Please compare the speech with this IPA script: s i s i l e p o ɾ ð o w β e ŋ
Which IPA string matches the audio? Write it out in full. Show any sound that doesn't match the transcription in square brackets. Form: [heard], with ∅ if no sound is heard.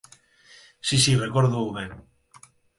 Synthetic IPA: s i s i [r] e [k] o ɾ ð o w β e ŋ